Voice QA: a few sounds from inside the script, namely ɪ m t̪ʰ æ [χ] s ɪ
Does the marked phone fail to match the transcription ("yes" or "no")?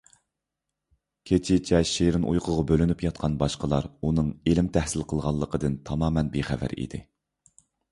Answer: yes